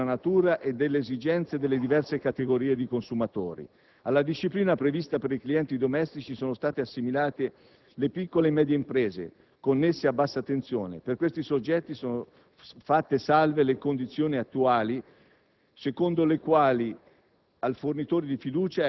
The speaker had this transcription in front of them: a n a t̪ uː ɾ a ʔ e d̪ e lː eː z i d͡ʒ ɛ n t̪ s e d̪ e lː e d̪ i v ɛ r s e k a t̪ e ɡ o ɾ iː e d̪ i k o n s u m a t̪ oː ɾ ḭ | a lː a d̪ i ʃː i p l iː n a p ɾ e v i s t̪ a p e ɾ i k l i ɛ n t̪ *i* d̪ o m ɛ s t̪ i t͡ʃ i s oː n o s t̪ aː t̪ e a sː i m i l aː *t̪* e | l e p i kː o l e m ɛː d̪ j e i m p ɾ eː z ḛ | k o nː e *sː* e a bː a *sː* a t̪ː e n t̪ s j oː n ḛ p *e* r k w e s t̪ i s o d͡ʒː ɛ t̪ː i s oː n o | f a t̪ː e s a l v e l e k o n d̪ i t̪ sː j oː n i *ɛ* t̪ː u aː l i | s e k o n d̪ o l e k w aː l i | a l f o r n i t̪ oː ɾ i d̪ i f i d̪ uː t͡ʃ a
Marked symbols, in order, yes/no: yes, yes, yes, yes, yes, no

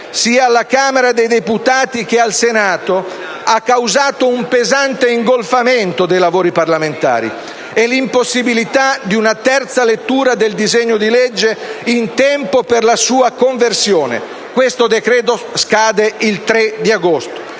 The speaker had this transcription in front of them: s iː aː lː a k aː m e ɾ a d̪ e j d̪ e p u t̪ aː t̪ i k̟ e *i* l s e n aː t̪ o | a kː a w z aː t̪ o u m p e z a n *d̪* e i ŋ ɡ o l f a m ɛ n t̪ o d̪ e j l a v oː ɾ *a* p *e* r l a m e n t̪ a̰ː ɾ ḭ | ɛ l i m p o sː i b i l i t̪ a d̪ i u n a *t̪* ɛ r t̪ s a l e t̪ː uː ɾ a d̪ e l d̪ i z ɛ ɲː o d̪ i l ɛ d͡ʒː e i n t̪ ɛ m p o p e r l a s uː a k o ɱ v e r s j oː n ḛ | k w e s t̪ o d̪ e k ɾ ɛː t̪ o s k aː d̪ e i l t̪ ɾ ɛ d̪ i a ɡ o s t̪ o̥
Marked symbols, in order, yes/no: no, no, no, no, yes

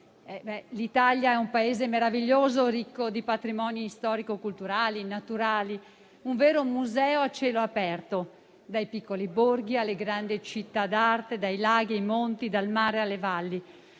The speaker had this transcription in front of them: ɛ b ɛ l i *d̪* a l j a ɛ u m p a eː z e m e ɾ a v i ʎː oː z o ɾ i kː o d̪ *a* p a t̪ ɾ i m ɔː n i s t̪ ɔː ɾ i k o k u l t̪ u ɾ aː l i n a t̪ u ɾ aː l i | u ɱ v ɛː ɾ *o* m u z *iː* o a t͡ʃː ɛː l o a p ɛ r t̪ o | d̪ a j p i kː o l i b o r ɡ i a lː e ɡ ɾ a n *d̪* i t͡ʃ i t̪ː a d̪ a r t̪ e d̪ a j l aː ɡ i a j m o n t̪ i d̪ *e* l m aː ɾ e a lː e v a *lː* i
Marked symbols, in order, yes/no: no, no, yes, no, yes, no, yes

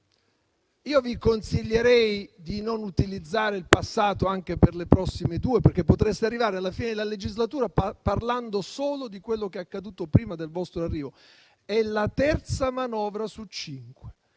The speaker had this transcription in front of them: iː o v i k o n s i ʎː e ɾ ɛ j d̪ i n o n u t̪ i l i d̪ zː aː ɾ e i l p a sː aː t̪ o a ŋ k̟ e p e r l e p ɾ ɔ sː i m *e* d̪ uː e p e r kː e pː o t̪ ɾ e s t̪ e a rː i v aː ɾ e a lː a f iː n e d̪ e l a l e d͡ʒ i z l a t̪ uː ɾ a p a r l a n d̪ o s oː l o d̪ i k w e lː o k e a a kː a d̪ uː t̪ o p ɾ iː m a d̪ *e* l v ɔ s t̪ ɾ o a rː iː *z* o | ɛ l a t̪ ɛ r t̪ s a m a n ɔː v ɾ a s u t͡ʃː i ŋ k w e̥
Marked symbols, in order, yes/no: yes, yes, no

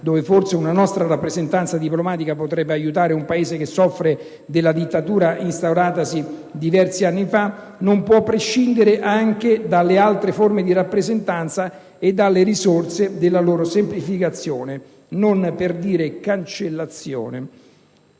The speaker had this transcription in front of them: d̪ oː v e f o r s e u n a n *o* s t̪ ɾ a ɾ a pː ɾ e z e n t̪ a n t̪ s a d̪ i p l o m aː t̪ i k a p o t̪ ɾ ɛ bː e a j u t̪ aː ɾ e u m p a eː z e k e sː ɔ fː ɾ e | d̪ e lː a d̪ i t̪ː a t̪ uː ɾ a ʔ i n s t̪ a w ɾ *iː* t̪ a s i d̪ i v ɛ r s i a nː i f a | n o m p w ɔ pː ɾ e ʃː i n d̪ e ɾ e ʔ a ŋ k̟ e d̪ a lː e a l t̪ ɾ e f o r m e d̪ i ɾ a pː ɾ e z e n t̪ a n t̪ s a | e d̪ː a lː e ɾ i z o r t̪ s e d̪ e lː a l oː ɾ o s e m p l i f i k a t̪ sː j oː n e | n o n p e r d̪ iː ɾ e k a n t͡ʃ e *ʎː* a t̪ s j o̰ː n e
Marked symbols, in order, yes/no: no, no, no

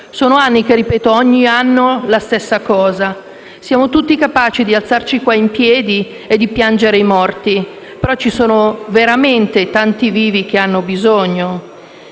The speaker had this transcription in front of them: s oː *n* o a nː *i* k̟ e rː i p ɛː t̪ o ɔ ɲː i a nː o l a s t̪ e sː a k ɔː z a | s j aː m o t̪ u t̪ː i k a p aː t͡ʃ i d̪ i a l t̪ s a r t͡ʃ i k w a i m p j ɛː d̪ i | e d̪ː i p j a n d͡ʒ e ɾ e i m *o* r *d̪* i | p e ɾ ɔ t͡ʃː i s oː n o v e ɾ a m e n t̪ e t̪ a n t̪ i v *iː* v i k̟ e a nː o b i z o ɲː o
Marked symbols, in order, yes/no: yes, yes, no, no, yes

